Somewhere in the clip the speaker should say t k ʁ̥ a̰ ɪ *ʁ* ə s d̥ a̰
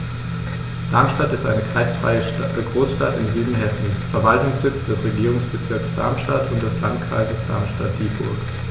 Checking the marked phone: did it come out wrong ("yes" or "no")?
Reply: yes